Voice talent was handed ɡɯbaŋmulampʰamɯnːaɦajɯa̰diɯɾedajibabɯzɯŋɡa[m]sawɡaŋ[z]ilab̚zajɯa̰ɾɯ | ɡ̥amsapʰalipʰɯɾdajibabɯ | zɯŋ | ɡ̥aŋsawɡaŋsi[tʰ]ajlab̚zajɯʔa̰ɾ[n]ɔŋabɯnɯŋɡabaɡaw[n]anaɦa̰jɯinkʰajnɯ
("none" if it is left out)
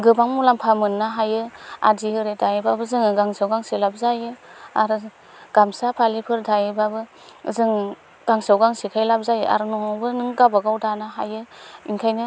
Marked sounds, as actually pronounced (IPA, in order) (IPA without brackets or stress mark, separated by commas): ŋ, s, kʰ, n, d